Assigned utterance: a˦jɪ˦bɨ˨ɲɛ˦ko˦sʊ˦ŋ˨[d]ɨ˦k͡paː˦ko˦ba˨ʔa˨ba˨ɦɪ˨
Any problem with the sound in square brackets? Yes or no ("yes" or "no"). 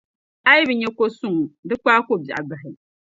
no